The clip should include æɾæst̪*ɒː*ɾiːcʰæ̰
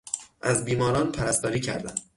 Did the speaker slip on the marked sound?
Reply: no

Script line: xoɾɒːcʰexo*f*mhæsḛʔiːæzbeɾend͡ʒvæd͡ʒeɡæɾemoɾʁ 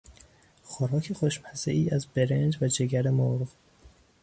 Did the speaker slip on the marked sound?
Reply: yes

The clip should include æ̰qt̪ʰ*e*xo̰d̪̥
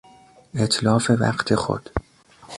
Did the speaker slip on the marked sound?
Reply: no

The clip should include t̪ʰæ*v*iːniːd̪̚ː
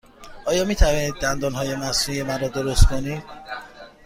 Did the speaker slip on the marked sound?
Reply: no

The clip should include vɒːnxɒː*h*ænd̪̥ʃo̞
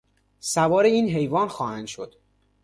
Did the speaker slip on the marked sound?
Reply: no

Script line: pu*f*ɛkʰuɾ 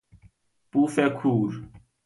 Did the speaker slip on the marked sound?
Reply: no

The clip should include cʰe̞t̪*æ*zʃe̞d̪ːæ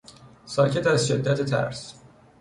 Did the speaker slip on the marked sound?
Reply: no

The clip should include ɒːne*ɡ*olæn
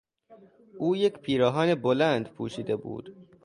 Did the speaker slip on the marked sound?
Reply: yes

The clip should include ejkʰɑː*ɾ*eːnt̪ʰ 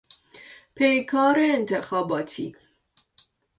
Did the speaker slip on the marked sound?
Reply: no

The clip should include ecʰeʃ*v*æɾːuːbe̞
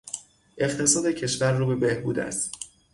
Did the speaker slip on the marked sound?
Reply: no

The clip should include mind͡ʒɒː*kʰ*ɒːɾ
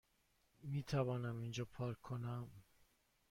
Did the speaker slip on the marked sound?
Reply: yes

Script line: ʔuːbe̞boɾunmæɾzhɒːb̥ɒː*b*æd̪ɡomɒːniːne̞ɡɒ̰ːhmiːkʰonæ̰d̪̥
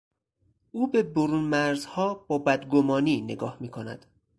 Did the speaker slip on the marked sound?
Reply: no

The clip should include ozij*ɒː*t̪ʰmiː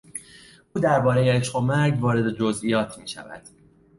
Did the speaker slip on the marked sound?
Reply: no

